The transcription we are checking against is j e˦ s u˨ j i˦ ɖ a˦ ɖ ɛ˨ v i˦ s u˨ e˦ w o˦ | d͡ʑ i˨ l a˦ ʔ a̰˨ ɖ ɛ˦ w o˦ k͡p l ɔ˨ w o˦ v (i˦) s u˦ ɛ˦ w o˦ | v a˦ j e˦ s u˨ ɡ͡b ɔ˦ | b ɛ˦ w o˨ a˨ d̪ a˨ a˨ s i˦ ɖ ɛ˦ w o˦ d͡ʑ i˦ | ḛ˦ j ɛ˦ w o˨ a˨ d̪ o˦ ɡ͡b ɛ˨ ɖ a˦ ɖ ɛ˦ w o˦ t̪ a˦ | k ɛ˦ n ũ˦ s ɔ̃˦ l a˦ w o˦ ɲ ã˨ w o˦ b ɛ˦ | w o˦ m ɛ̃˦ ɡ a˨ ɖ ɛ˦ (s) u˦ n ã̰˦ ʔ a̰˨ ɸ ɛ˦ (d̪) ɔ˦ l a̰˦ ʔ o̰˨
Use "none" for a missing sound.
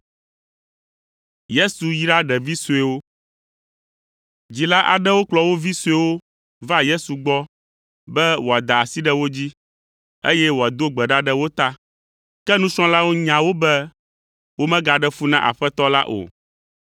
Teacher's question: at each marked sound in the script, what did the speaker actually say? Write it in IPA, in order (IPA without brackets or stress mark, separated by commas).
i˦, f, t̪